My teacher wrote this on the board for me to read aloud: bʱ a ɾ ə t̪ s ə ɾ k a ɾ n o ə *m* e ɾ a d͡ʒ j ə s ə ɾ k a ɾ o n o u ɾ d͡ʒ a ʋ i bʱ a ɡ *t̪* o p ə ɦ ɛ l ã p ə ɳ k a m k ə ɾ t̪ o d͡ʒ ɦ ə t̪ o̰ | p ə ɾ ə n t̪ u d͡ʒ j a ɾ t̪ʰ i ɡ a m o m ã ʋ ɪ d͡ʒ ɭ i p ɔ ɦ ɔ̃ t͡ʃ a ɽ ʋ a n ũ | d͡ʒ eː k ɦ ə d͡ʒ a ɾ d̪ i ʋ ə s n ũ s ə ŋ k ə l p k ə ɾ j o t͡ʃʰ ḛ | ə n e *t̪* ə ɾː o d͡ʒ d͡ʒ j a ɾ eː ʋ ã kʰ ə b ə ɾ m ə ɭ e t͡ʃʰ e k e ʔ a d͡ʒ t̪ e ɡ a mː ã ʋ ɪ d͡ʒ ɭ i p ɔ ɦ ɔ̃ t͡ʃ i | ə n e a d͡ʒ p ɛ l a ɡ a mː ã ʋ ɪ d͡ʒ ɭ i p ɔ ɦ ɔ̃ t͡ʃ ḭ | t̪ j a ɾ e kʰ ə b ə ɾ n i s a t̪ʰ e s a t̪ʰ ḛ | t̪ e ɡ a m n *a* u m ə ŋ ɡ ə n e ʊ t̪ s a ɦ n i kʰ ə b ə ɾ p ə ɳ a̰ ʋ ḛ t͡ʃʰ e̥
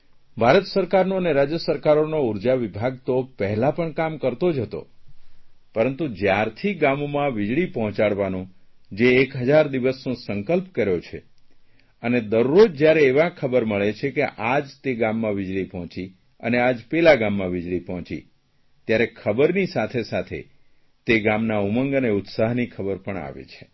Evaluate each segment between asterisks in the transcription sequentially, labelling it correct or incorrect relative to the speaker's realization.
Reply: incorrect, correct, incorrect, correct

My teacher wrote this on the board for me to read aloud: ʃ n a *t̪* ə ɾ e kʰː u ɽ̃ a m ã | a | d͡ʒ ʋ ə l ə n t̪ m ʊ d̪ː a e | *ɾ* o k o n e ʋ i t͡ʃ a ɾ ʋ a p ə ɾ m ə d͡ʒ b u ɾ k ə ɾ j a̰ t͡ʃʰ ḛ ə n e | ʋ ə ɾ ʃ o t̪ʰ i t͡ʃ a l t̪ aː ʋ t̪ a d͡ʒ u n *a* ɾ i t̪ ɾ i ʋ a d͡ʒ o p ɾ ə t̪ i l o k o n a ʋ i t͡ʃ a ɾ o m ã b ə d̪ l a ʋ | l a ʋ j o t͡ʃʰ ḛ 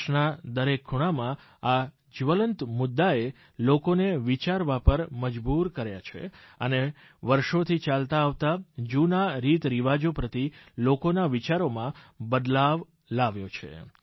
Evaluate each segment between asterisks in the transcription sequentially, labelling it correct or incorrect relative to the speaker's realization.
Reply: incorrect, incorrect, correct

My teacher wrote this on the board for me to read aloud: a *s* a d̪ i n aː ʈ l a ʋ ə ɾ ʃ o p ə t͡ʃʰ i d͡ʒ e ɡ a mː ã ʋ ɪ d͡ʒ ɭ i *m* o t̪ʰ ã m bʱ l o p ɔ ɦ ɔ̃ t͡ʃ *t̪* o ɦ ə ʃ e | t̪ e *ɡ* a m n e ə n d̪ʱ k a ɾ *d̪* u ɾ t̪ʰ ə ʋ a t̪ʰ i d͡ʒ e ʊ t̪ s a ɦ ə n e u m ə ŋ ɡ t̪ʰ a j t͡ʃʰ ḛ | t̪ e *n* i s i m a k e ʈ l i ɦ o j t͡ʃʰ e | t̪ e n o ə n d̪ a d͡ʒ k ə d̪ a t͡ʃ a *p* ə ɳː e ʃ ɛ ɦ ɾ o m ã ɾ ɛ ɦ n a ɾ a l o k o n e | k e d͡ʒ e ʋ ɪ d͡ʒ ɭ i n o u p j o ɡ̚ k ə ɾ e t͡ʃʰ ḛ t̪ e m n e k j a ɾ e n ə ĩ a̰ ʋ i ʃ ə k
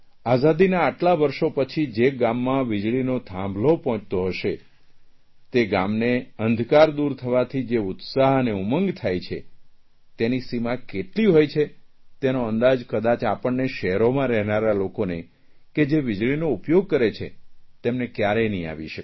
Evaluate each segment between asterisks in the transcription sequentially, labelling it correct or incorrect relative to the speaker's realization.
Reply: incorrect, incorrect, correct, correct, correct, correct, correct

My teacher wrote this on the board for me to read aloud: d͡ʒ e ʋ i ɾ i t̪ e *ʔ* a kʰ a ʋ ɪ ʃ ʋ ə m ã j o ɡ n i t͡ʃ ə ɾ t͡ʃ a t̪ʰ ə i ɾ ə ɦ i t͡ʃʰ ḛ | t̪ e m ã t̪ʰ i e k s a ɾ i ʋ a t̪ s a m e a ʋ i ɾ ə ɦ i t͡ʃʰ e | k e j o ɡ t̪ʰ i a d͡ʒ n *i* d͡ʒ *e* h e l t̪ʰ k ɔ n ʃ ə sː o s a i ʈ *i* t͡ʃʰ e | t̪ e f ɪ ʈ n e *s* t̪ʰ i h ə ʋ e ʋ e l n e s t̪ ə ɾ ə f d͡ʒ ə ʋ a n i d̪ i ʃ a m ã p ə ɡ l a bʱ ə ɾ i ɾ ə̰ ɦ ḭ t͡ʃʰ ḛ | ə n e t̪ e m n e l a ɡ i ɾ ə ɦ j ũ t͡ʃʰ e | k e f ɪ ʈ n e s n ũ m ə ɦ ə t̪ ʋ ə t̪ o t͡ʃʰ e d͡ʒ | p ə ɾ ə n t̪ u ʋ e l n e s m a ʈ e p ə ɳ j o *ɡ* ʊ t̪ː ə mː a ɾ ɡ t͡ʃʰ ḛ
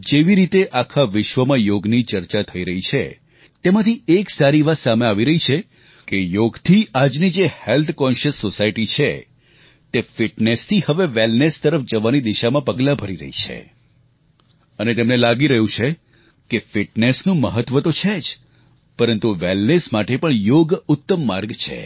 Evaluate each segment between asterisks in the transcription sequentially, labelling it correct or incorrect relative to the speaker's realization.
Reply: correct, correct, correct, correct, correct, correct

